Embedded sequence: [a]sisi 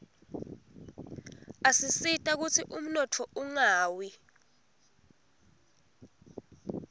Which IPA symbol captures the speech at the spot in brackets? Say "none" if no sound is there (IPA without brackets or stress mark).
a